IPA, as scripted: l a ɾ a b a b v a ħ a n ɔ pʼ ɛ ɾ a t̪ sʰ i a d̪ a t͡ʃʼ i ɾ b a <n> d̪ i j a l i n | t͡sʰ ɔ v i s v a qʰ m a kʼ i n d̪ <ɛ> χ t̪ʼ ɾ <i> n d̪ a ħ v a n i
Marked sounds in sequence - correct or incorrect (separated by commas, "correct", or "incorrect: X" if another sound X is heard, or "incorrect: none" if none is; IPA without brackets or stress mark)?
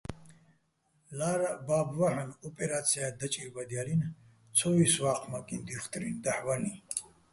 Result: incorrect: none, incorrect: i, correct